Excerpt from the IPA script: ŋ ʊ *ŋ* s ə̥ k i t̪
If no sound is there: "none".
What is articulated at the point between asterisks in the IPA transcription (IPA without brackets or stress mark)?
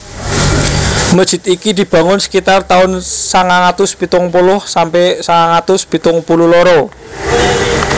n